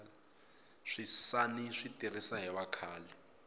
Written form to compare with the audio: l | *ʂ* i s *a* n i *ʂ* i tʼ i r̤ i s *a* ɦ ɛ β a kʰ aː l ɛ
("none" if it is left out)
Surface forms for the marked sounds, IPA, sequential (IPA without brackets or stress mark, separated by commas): ʂ, a, ʂ, a